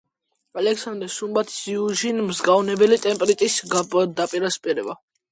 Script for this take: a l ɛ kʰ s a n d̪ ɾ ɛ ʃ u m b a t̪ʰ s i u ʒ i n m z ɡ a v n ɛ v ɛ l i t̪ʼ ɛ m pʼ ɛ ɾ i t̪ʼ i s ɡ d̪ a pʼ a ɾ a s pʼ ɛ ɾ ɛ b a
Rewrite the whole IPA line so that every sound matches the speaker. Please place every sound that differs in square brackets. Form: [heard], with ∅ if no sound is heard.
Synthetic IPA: a l ɛ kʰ s a n d̪ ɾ ɛ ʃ u m b a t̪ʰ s i u ʒ i n m z ɡ a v n ɛ [b] ɛ l i t̪ʼ ɛ m pʼ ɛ ɾ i t̪ʼ i s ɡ d̪ a pʼ [i] ɾ a s pʼ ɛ ɾ ɛ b a